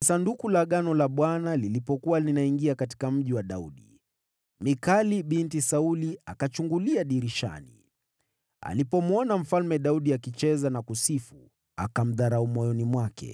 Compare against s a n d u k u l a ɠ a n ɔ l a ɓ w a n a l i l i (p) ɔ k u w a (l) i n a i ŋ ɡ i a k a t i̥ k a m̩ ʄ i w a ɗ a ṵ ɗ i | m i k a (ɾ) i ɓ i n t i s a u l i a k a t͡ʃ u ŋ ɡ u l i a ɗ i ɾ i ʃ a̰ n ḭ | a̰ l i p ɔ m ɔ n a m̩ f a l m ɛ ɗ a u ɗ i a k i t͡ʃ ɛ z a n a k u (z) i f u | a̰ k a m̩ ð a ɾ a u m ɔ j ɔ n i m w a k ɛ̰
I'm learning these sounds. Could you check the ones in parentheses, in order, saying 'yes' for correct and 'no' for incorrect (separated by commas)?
yes, yes, no, no